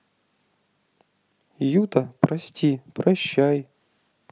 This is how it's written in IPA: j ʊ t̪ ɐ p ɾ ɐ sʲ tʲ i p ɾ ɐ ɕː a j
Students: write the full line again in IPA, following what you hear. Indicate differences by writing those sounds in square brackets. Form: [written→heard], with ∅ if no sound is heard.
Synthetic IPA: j [ʊ→u] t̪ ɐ p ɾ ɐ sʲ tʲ i p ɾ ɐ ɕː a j